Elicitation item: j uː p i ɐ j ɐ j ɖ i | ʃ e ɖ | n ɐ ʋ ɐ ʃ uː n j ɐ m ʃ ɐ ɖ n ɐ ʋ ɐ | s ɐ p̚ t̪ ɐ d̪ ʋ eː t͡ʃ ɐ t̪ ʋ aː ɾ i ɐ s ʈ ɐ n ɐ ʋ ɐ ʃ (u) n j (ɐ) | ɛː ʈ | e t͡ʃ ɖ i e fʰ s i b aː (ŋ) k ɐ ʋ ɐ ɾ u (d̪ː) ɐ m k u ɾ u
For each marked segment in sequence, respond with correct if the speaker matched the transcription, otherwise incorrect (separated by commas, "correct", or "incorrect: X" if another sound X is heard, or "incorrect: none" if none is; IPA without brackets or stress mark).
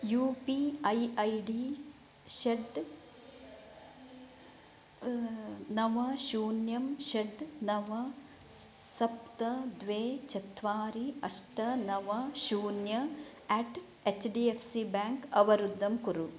incorrect: uː, correct, correct, correct